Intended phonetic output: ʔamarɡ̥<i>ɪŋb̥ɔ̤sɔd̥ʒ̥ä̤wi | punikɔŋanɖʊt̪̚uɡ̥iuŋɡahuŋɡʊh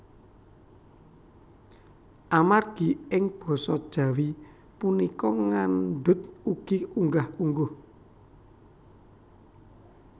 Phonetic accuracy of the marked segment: correct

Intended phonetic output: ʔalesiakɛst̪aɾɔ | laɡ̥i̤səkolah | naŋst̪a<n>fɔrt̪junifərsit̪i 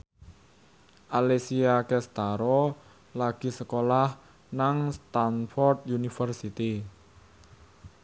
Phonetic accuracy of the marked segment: correct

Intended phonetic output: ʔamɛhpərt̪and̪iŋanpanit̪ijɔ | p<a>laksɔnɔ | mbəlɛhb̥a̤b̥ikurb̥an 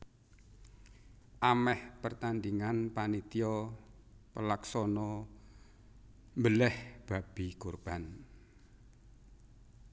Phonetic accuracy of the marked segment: incorrect: ə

